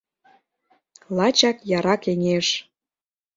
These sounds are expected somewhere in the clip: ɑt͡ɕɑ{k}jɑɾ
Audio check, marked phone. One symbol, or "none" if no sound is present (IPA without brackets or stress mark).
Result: k